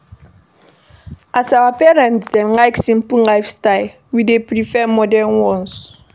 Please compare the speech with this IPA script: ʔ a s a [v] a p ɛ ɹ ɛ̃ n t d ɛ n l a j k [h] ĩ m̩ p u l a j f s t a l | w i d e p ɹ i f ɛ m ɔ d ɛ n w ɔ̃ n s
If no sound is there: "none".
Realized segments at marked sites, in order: w, s

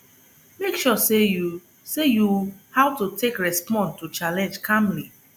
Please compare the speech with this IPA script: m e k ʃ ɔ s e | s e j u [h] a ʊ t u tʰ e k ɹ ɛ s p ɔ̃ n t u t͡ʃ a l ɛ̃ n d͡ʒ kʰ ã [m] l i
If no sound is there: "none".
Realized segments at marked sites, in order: h, m

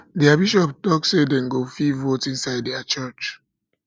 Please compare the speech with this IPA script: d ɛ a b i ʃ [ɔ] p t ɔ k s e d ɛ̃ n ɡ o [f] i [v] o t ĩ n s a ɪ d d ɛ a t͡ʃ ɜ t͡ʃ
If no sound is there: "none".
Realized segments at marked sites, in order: ɔ, f, v

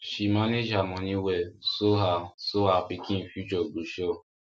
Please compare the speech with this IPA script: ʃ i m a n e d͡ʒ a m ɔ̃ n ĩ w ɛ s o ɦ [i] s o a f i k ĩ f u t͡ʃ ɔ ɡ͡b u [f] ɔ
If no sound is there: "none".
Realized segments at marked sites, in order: a, ʃ

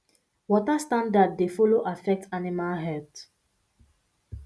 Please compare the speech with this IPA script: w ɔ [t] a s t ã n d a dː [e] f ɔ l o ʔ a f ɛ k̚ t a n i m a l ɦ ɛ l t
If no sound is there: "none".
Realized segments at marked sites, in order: t, e

